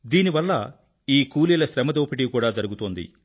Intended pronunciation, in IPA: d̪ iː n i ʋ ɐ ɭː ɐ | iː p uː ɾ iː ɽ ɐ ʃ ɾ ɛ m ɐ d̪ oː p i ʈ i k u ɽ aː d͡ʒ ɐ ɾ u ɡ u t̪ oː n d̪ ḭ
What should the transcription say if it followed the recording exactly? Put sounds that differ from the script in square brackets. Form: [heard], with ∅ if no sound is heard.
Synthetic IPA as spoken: d̪ iː n i ʋ ɐ [lː] ɐ | iː [k] uː [l] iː [l] ɐ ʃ ɾ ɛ m ɐ d̪ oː p i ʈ i k [uː] ɽ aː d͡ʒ ɐ ɾ u ɡ u t̪ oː n d̪ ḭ